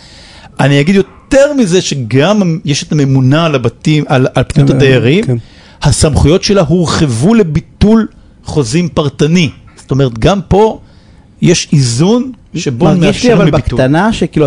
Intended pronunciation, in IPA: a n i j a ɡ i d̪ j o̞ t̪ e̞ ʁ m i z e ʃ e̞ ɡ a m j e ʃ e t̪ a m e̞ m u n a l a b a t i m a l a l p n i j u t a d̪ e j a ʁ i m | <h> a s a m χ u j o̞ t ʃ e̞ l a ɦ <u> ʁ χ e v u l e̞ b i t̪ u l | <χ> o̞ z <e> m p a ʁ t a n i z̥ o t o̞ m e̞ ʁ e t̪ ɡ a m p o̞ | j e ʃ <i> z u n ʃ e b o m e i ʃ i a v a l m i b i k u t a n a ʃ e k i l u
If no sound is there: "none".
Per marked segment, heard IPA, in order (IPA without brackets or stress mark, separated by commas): h, u, χ, i, i